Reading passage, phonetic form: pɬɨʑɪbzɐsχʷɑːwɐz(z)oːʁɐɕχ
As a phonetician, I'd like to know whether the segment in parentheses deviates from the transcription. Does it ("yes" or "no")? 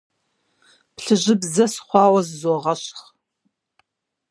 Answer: no